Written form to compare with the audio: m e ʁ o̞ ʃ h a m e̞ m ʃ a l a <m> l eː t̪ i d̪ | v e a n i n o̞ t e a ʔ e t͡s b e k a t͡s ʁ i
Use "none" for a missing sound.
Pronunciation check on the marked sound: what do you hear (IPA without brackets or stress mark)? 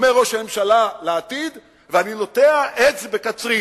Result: none